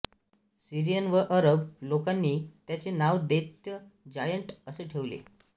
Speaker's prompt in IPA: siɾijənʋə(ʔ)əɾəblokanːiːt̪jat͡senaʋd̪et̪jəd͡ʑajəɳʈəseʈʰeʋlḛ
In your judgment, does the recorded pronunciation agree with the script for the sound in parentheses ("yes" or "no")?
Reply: yes